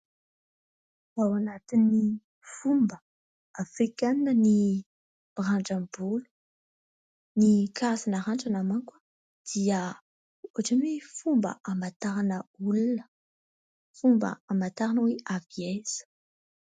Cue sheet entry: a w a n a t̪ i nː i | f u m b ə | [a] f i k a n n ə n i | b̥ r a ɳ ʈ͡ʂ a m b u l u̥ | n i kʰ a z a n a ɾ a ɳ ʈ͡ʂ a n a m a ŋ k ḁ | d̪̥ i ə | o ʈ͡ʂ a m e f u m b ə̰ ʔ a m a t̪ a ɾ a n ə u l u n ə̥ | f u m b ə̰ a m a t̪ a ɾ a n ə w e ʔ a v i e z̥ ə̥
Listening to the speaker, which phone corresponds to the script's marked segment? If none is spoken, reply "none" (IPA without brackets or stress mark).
a